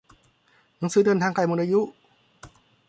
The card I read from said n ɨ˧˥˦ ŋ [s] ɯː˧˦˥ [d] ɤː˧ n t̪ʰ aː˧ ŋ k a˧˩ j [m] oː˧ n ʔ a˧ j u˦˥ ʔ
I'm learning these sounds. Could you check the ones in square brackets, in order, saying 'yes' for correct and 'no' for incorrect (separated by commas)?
yes, yes, yes